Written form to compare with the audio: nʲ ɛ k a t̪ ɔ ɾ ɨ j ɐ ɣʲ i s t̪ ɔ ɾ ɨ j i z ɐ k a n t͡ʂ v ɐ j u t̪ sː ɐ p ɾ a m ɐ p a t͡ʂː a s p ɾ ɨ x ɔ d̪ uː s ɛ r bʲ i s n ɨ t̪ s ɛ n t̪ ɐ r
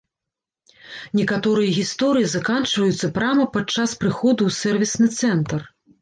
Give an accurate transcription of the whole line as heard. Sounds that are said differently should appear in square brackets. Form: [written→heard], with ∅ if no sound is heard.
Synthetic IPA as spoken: nʲ ɛ k a t̪ ɔ ɾ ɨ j ɐ ɣʲ i s t̪ ɔ ɾ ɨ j i z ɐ k a n t͡ʂ v ɐ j u t̪ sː ɐ p ɾ a m ɐ p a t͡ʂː a s p ɾ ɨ x ɔ d̪ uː s ɛ r [bʲ→vʲ] i s n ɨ t̪ s ɛ n t̪ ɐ r